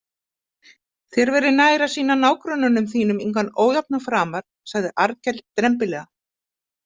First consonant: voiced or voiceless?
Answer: voiceless